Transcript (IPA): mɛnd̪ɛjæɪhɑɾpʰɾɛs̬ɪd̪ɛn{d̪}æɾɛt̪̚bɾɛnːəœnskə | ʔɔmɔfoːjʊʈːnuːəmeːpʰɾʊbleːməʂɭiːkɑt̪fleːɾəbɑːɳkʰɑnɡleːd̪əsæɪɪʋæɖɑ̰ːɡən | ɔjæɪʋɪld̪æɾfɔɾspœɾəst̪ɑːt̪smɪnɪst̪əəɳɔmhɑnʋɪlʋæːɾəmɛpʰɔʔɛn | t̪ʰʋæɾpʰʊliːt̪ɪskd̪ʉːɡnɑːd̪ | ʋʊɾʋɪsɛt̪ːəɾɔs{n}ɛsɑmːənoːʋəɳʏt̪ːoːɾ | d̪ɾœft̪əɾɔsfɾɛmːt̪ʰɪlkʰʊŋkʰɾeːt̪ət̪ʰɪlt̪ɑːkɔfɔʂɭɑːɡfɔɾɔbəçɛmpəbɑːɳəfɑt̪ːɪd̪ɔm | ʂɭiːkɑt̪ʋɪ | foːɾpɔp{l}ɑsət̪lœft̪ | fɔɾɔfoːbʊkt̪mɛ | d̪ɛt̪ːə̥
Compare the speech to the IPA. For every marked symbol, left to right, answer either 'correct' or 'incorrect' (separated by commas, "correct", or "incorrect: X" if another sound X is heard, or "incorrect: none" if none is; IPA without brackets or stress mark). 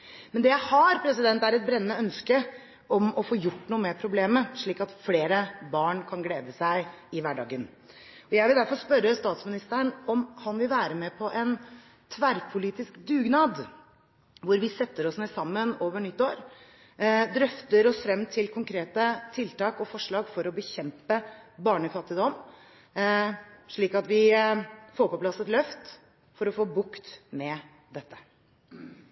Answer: incorrect: t̪, correct, correct